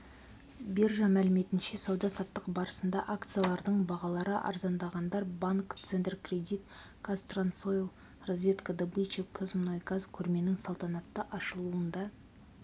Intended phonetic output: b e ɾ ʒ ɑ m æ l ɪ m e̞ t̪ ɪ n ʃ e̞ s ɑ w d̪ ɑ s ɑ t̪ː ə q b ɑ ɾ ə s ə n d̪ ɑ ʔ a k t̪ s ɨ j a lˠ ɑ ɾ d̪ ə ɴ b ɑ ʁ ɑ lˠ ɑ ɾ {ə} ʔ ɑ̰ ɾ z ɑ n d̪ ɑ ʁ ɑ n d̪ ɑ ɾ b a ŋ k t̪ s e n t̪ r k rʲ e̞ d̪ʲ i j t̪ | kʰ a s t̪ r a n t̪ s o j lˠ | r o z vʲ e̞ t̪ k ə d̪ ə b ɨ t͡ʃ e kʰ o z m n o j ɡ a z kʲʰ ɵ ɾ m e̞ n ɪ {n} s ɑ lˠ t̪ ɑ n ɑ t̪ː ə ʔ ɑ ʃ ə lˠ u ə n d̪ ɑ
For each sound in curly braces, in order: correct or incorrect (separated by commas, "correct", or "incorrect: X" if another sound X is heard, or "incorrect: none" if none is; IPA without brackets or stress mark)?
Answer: correct, incorrect: ŋ